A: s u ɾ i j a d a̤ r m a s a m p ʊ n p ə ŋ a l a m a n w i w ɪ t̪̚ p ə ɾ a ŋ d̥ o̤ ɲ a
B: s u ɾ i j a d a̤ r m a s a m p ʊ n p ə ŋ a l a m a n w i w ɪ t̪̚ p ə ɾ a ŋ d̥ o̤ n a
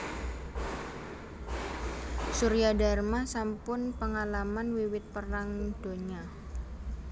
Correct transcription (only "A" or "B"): A